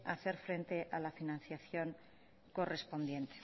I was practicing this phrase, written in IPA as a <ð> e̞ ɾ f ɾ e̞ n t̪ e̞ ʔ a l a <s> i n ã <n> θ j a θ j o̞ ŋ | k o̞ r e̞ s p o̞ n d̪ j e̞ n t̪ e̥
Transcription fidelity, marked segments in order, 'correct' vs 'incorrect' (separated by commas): incorrect, incorrect, correct